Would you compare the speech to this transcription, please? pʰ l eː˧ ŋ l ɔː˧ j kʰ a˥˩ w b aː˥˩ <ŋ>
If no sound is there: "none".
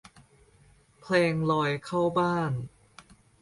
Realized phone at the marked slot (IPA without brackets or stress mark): n